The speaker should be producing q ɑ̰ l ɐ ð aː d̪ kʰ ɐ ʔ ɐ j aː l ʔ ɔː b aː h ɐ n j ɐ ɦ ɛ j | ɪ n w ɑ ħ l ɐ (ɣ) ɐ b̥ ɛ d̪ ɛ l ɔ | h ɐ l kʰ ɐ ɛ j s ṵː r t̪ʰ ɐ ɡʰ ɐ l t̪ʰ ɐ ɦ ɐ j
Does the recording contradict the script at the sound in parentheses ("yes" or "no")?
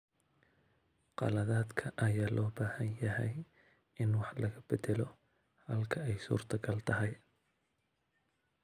no